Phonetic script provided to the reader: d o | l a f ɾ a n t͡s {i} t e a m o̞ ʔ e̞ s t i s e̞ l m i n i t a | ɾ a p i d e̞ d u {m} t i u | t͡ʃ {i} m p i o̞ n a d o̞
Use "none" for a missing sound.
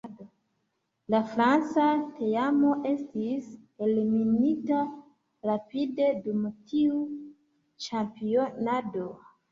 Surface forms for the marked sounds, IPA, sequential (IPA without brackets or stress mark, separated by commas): a, m, a